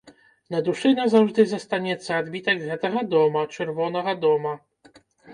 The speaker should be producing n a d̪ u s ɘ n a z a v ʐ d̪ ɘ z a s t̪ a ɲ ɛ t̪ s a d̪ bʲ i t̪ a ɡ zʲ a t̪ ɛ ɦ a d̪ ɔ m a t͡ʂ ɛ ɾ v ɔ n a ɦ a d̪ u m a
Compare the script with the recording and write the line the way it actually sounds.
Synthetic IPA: n a d̪ u ʂ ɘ n a z a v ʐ d̪ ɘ z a s t̪ a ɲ ɛ t̪ s a d̪ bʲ i t̪ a ɡ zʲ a t̪ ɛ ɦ a d̪ ɔ m a t͡ʂ ɛ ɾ v ɔ n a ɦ a d̪ ɔ m a